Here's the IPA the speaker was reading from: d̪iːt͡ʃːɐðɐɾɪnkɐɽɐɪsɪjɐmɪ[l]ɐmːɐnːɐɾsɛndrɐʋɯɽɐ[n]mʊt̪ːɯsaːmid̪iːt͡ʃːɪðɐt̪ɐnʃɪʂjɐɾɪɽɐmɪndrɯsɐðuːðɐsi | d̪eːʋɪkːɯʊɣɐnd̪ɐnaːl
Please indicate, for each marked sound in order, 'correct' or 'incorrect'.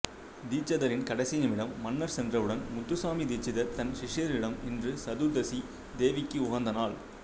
incorrect: ɽ, correct

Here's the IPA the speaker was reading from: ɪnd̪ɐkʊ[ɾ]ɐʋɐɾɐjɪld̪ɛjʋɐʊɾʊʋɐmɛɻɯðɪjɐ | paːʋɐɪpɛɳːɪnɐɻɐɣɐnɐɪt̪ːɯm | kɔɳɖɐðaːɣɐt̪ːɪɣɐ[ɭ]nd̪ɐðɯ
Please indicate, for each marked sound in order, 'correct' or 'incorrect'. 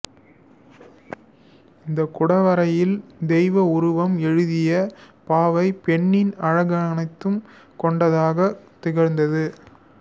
incorrect: ɽ, incorrect: ɾ

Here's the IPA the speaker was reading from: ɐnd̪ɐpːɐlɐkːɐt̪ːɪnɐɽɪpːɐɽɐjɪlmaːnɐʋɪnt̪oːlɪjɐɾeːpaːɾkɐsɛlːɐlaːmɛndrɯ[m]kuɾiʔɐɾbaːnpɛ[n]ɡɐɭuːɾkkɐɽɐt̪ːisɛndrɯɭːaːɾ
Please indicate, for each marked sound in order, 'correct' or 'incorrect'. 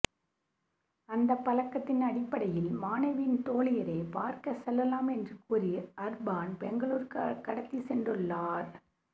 incorrect: none, incorrect: ŋ

